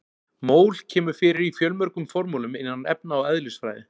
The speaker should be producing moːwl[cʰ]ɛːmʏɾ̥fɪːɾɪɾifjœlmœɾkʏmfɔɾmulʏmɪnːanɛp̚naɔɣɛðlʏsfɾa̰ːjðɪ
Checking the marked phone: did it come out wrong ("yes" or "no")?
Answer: no